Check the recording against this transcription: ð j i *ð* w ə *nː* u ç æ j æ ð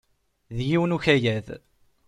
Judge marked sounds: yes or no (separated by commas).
no, no